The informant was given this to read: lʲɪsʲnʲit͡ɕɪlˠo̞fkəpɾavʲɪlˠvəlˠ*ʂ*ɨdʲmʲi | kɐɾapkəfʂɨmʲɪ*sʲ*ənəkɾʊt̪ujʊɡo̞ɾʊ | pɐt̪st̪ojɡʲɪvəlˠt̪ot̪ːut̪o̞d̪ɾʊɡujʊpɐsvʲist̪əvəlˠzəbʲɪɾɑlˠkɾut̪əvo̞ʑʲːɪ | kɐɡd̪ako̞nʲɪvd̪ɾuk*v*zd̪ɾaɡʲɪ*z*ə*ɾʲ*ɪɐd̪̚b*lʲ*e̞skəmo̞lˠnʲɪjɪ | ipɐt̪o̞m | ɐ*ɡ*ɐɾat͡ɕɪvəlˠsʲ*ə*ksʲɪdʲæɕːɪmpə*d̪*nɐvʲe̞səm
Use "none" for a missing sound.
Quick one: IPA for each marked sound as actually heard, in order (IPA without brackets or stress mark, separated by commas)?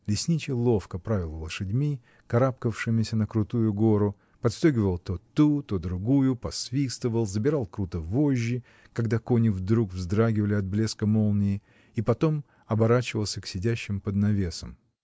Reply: ʂ, sʲ, v, v, lʲ, lʲ, b, ə, d̪